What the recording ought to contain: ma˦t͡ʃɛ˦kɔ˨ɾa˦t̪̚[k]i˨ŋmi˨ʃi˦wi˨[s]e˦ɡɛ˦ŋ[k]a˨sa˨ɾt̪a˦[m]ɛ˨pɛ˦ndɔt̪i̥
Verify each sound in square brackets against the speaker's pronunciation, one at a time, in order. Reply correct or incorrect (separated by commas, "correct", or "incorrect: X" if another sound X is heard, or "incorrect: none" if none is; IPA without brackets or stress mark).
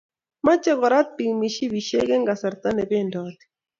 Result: incorrect: p, incorrect: ʃ, incorrect: ɡ, incorrect: n